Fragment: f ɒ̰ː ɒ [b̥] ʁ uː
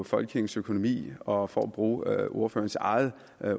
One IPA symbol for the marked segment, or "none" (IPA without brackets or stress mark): b̥